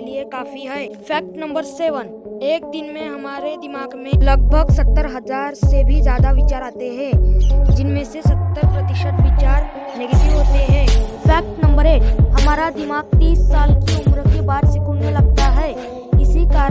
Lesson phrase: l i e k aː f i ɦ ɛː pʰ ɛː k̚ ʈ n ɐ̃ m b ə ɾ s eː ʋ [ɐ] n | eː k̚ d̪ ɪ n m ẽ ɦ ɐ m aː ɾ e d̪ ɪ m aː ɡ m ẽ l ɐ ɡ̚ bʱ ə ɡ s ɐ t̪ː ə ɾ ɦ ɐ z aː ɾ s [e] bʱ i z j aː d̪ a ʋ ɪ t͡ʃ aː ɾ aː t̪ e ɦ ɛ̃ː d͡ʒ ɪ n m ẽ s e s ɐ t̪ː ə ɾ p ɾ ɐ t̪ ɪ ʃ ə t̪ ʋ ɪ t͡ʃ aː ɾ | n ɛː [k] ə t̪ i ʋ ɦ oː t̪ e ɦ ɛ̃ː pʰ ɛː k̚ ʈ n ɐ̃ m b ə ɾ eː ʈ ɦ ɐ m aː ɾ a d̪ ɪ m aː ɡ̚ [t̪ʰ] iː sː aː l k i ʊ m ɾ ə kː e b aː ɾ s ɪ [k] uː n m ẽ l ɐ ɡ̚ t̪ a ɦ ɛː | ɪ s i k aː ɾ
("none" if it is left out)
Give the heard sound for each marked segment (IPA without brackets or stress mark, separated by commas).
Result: ə, e, ɡ, t̪, k